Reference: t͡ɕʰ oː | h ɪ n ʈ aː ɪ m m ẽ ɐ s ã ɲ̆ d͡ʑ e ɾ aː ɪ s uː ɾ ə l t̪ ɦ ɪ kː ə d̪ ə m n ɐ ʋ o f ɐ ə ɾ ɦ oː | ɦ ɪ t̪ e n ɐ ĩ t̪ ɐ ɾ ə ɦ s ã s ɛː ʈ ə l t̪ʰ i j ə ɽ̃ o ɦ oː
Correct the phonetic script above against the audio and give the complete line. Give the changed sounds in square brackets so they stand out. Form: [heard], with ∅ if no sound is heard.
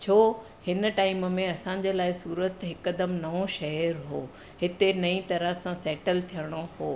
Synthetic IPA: t͡ɕʰ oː | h ɪ n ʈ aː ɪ m m ẽ ɐ s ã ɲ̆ d͡ʑ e [l] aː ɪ s uː ɾ ə [∅] t̪ ɦ ɪ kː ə d̪ ə m n ɐ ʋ o [ʃ] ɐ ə ɾ ɦ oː | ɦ ɪ t̪ e n ɐ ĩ t̪ ɐ ɾ ə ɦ s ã s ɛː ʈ ə l t̪ʰ i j ə ɽ̃ o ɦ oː

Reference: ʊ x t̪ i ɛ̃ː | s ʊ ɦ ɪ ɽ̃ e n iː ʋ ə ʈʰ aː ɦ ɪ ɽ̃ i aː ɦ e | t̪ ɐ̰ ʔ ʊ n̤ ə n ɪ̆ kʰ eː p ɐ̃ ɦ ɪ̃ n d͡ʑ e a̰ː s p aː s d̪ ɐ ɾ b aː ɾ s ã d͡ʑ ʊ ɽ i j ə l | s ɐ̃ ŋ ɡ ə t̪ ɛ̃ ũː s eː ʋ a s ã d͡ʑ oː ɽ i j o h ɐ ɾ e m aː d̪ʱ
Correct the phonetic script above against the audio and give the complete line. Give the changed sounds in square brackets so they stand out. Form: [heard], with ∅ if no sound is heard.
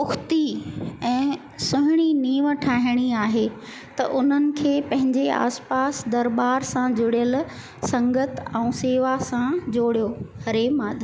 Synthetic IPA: ʊ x t̪ i ɛ̃ː | s ʊ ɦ ɪ ɽ̃ [i] n iː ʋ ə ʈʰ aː ɦ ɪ ɽ̃ i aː ɦ e | t̪ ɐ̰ ʔ ʊ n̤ ə n ɪ̆ kʰ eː p ɐ̃ ɦ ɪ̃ [ɲ] d͡ʑ e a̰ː s p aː s d̪ ɐ ɾ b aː ɾ s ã d͡ʑ ʊ ɽ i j ə l | s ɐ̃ ŋ ɡ ə t̪ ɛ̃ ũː s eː ʋ a s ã d͡ʑ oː ɽ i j o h ɐ ɾ e m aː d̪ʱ

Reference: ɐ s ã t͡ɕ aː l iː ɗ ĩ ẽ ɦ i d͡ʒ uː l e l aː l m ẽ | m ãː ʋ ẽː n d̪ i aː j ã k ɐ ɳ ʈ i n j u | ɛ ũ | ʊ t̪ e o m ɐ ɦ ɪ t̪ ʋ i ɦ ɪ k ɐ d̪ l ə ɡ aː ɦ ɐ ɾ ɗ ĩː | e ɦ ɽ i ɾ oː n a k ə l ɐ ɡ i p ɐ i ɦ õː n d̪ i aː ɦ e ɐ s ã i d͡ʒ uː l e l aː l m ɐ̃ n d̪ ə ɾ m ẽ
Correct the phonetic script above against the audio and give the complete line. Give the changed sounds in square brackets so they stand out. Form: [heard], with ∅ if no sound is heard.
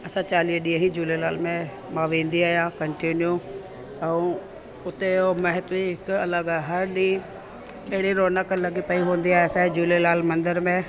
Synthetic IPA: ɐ s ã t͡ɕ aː l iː ɗ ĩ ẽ ɦ i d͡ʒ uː l e l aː l m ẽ | m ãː ʋ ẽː n d̪ i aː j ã k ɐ ɳ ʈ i n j u | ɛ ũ | ʊ t̪ e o m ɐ ɦ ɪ t̪ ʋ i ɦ ɪ k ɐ [∅] l ə ɡ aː ɦ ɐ ɾ ɗ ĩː | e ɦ ɽ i ɾ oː n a k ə l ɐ ɡ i p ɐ i ɦ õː n d̪ i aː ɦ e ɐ s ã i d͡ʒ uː l e l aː l m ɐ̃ n d̪ ə ɾ m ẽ

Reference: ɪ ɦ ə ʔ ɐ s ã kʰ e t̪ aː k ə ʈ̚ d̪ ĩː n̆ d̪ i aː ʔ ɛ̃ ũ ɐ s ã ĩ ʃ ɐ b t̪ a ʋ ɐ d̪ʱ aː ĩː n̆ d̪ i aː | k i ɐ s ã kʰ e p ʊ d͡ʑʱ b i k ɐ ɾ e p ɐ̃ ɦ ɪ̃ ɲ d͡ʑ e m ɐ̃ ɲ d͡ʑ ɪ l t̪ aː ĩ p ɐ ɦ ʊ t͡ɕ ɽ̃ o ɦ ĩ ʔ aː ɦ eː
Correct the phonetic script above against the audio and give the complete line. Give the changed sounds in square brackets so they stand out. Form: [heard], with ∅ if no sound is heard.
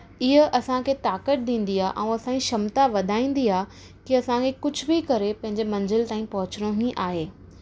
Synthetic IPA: ɪ ɦ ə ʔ ɐ s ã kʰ e t̪ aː k ə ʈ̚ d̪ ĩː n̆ d̪ i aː ʔ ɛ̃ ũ ɐ s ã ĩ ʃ ɐ [m] t̪ a ʋ ɐ d̪ʱ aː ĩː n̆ d̪ i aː | k i ɐ s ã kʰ e [k] ʊ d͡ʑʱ b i k ɐ ɾ e p ɐ̃ ɦ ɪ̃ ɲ d͡ʑ e m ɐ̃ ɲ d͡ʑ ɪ l t̪ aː ĩ p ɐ ɦ ʊ t͡ɕ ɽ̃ o ɦ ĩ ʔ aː ɦ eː

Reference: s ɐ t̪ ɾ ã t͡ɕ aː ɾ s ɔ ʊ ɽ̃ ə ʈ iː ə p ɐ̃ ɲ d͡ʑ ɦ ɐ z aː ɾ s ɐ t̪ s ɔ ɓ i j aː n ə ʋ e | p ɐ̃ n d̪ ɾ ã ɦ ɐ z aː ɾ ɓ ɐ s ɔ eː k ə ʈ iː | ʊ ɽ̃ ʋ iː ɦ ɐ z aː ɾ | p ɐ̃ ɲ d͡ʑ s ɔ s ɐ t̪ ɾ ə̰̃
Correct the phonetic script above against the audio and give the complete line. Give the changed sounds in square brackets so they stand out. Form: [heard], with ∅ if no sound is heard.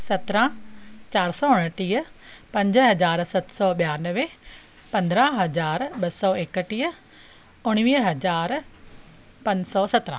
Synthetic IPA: s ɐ t̪ ɾ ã t͡ɕ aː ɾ s ɔ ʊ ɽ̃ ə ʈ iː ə p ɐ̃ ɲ d͡ʑ ɦ ɐ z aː ɾ s ɐ t̪ s ɔ ɓ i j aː n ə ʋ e | p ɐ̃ n d̪ ɾ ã ɦ ɐ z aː ɾ ɓ ɐ s ɔ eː k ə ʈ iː | ʊ ɽ̃ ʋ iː ɦ ɐ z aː ɾ | p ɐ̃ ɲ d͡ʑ s ɔ s ɐ t̪ ɾ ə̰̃

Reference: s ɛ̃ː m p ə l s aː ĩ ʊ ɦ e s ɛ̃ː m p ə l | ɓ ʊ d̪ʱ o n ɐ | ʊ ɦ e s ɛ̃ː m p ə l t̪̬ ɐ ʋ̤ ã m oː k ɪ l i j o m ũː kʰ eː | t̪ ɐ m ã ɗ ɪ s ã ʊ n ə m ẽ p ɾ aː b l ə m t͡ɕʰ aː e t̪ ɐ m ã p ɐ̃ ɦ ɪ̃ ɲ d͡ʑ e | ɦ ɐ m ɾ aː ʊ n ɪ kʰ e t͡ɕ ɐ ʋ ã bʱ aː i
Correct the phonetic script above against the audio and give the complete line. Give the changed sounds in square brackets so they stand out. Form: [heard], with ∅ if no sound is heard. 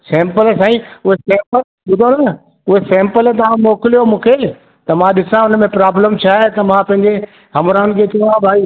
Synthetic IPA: s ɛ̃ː m p ə l s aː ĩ ʊ ɦ e s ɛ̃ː m p ə l | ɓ ʊ d̪ʱ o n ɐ | ʊ ɦ e s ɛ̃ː m p ə l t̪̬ ɐ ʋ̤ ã m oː k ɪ l i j o m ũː kʰ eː | t̪ ɐ m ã ɗ ɪ s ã ʊ n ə m ẽ p ɾ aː b l ə m t͡ɕʰ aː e t̪ ɐ m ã p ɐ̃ ɦ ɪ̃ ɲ d͡ʑ e | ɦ ɐ m ɾ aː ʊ n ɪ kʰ e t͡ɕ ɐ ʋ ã bʱ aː i

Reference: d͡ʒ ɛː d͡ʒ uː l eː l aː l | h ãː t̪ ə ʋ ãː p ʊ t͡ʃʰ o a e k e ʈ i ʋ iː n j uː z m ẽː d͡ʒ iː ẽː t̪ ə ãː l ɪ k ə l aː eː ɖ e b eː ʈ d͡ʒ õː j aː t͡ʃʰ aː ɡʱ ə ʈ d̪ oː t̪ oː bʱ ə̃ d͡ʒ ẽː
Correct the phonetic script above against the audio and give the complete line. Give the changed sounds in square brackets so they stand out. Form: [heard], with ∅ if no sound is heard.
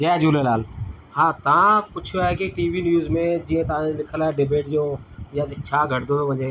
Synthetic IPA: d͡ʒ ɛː d͡ʒ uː l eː l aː l | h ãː t̪ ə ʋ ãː p ʊ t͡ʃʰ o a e k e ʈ [iː] ʋ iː n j uː z m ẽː d͡ʒ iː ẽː t̪ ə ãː l ɪ [kʰ] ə l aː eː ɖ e b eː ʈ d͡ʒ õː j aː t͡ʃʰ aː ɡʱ ə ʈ d̪ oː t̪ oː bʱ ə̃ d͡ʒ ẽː

